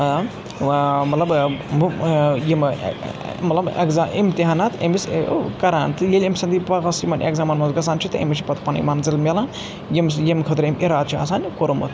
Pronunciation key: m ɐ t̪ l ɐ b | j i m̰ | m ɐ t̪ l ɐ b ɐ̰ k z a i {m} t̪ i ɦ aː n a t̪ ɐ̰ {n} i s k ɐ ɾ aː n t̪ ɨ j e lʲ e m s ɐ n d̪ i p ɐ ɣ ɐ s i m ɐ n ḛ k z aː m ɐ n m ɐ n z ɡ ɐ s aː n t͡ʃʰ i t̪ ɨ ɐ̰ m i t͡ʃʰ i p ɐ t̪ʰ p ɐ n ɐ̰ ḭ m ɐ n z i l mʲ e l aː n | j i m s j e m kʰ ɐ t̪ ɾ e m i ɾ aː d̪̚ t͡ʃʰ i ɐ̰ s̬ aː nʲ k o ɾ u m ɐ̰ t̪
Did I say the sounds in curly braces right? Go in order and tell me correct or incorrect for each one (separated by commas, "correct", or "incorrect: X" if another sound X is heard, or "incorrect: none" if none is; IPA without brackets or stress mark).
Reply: correct, incorrect: m